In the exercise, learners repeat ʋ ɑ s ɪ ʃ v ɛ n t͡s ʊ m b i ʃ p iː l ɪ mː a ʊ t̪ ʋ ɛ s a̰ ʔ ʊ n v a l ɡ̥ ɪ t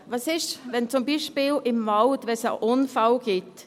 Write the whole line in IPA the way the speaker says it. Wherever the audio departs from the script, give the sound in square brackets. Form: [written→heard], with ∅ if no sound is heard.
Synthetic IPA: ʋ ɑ s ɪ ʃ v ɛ n t͡s ʊ m b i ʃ p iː l ɪ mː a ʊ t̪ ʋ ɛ s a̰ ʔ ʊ n [v→f] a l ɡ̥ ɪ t